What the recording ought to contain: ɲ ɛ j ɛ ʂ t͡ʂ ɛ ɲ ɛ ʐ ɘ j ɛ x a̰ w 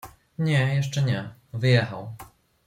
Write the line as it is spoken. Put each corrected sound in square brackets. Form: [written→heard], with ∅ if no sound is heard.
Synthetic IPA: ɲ ɛ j ɛ ʂ t͡ʂ ɛ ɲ ɛ [ʐ→v] ɘ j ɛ x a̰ w